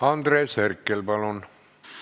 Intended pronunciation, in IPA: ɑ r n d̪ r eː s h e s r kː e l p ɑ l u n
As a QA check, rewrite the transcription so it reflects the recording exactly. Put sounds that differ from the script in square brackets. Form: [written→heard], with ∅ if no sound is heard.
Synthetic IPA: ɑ [r→∅] n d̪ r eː s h e [s→∅] r kː e l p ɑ l [u→o] n